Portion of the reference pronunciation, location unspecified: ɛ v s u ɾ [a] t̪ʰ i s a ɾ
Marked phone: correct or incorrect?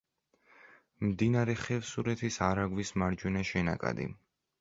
incorrect